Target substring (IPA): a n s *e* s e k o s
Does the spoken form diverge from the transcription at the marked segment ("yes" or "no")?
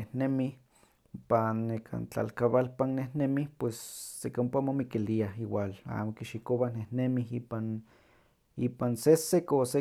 no